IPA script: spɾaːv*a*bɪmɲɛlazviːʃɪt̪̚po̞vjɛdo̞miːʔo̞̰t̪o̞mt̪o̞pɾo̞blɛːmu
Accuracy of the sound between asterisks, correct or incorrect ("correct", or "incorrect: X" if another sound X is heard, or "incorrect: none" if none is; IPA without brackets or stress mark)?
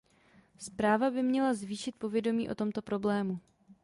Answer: correct